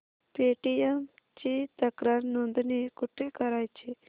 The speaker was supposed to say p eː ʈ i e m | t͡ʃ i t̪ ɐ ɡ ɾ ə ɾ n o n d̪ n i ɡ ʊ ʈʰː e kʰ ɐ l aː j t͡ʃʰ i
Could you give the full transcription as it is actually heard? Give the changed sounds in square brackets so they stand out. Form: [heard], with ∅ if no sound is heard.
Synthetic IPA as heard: p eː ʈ i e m | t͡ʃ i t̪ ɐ [k] ɾ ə ɾ n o n d̪ n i [k] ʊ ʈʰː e [k] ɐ [ɾ] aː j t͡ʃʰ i